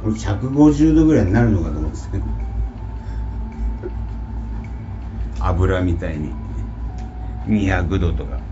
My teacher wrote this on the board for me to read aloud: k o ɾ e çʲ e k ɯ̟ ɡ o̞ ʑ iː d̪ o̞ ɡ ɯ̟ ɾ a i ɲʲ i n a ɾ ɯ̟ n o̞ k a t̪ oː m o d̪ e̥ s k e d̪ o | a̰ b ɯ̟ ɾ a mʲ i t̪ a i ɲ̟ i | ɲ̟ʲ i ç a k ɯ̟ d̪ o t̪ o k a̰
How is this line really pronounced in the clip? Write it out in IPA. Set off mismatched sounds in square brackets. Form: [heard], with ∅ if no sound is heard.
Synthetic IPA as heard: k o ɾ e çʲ [a] k ɯ̟ ɡ o̞ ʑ [ɨː] d̪ o̞ ɡ ɯ̟ ɾ a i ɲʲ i n a ɾ ɯ̟ n o̞ k a t̪ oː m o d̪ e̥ s k e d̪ o | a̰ b ɯ̟ ɾ a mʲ i t̪ a i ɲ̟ i | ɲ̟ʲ i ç a k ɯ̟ d̪ o t̪ o k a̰

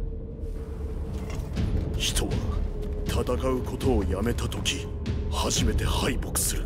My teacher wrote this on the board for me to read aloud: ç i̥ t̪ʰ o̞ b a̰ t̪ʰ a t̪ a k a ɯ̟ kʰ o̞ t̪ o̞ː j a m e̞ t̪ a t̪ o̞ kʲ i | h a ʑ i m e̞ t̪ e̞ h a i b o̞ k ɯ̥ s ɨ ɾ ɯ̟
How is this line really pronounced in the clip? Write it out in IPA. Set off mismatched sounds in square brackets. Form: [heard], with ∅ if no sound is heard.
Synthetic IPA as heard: ç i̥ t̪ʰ o̞ [β] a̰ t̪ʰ a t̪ a k a ɯ̟ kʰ o̞ t̪ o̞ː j a m e̞ t̪ a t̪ o̞ kʲ i | h a ʑ i m e̞ t̪ e̞ h a i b o̞ k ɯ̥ s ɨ ɾ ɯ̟

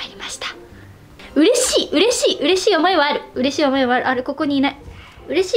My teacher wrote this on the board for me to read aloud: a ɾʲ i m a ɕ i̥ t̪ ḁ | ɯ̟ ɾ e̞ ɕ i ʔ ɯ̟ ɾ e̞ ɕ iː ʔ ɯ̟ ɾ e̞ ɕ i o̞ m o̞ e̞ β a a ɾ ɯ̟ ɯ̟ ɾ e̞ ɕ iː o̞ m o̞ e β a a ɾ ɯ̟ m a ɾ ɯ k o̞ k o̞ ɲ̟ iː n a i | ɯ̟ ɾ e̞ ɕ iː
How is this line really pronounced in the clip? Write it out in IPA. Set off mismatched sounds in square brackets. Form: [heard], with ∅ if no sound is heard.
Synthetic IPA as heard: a ɾʲ i m a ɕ i̥ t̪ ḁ | ɯ̟ ɾ e̞ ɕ [iː] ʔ ɯ̟ ɾ e̞ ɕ iː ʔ ɯ̟ ɾ e̞ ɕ [iː] o̞ m o̞ e̞ β a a ɾ ɯ̟ ɯ̟ ɾ e̞ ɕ iː o̞ m o̞ e β a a ɾ ɯ̟ [∅] a ɾ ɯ k o̞ k o̞ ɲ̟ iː n a i | ɯ̟ ɾ e̞ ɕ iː

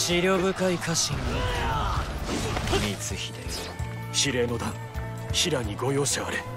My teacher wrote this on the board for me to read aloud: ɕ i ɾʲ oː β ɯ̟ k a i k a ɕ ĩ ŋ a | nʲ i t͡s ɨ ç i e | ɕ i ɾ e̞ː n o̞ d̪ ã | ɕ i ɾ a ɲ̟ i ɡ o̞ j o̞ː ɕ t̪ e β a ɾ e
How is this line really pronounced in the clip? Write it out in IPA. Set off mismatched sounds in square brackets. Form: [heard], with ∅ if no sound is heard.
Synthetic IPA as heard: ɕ i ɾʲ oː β ɯ̟ k a i k a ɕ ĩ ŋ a | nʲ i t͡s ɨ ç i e | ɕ i ɾ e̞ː n o̞ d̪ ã | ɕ i ɾ a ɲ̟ i ɡ o̞ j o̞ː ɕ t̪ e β a ɾ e

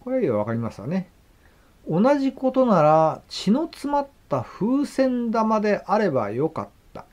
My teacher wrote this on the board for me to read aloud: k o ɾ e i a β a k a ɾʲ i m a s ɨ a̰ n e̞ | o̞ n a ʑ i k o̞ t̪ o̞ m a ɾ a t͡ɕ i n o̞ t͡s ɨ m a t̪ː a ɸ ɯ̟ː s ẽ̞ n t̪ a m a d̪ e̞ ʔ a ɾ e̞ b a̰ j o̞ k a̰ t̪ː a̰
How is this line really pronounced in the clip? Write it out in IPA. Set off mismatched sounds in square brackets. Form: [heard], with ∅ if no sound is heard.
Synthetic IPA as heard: k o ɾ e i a β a k a ɾʲ i m a s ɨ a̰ n e̞ | o̞ n a ʑ i k o̞ t̪ o̞ [n] a ɾ a t͡ɕ i n o̞ t͡s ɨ m a t̪ː a ɸ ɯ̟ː s ẽ̞ n [d̪] a m a d̪ e̞ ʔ a ɾ e̞ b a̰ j o̞ k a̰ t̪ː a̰

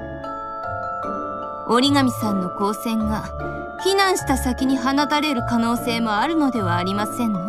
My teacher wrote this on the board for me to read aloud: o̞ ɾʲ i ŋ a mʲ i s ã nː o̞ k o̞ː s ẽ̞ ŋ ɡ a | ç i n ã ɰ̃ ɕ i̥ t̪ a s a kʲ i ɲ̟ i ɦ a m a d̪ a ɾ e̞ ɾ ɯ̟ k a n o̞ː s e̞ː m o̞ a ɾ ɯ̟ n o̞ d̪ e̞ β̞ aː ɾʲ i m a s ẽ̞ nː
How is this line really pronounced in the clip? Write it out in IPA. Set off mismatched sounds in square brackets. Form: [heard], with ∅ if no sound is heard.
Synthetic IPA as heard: o̞ ɾʲ i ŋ a mʲ i s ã nː o̞ k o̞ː s ẽ̞ ŋ ɡ a | ç i n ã ɰ̃ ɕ i̥ t̪ a s a kʲ i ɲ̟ i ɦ a [n] a [t̪] a ɾ e̞ ɾ ɯ̟ k a n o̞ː s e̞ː m o̞ a ɾ ɯ̟ n o̞ d̪ e̞ β̞ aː ɾʲ i m a s ẽ̞ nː

